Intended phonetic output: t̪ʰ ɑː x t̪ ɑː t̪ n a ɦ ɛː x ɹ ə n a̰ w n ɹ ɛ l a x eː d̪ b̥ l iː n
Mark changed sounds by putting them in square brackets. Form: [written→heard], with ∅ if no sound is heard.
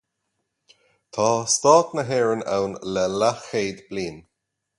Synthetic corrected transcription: t̪ʰ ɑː [x→s] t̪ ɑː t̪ n [a→ə] ɦ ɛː [x→∅] ɹ ə n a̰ w n [ɹ→l] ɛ l a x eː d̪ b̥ l iː n